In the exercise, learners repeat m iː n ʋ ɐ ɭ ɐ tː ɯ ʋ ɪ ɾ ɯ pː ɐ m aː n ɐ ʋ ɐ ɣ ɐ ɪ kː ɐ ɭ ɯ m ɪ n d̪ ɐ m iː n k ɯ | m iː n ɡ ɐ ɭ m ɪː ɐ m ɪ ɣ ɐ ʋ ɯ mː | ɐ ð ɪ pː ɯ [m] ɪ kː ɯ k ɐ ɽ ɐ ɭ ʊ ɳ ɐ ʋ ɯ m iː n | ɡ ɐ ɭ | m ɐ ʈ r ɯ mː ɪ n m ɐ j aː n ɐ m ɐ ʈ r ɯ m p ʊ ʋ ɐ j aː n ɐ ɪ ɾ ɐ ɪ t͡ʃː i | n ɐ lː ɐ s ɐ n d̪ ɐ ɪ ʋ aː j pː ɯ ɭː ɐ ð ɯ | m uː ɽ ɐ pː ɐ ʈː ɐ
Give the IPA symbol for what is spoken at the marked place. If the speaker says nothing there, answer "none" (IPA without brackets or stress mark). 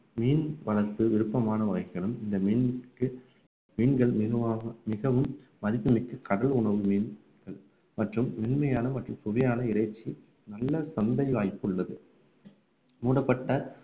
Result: m